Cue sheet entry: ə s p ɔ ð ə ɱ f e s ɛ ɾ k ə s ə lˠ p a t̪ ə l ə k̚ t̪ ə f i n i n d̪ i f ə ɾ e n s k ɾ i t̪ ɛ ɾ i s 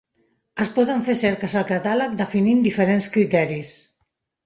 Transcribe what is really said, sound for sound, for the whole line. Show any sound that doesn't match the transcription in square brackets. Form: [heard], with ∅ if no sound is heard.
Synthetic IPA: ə s p ɔ ð ə ɱ f e s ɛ ɾ k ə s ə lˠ [k] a t̪ [a] l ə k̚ [d̪] ə f i n i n d̪ i f ə ɾ e n s k ɾ i t̪ ɛ ɾ i s